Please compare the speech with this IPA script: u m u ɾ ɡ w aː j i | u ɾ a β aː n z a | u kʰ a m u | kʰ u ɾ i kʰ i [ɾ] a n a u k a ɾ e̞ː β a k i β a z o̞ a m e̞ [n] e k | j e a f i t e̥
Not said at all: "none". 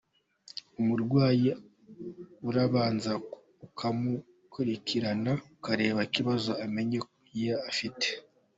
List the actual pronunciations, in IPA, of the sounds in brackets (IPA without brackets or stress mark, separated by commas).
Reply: ɾ, ɲ